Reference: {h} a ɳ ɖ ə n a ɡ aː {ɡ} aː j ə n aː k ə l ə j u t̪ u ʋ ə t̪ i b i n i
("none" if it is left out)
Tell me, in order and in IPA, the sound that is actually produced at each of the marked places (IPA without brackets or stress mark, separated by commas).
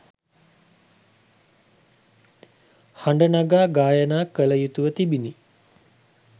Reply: h, ɡ